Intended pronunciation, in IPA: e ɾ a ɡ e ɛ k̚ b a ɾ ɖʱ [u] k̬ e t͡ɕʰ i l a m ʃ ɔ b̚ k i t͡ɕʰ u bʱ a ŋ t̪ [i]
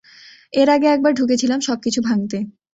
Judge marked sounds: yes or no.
yes, no

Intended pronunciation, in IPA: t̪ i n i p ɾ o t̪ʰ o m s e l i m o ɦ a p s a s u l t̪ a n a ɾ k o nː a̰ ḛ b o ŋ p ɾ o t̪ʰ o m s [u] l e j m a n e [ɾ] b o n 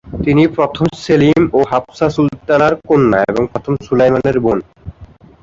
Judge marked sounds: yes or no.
yes, yes

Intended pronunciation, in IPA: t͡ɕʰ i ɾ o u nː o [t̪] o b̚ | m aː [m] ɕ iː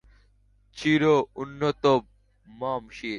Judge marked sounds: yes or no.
yes, yes

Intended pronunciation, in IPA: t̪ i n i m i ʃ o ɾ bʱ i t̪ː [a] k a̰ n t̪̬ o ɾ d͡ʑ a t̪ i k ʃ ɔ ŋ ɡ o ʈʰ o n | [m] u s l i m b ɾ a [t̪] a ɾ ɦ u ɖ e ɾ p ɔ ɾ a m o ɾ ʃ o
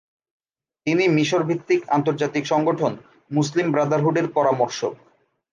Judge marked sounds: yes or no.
no, yes, no

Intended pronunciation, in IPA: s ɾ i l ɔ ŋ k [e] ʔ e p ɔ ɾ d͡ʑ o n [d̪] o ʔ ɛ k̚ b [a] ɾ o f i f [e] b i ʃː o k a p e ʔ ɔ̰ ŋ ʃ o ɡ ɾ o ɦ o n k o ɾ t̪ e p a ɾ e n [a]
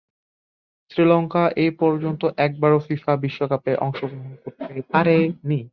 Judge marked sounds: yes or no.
no, no, yes, no, no

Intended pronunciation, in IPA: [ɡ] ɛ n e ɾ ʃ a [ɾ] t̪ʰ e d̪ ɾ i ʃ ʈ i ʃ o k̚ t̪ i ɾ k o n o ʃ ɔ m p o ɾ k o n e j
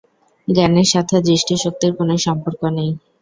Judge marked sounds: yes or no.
yes, no

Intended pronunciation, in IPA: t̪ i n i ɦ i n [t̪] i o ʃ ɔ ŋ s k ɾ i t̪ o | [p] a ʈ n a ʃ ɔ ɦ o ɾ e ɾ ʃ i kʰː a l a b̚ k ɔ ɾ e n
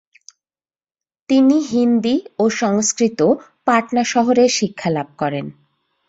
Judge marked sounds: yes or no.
no, yes

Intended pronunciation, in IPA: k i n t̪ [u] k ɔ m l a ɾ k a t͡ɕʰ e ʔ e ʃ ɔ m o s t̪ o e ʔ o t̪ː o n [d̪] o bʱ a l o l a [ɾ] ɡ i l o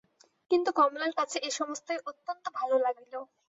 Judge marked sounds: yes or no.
yes, no, no

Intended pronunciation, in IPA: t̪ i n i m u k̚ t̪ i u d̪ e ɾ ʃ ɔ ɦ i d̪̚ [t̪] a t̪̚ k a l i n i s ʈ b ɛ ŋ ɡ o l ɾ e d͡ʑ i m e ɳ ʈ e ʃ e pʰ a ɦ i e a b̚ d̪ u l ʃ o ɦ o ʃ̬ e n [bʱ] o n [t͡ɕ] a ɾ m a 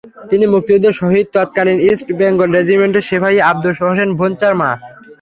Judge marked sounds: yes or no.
yes, yes, yes

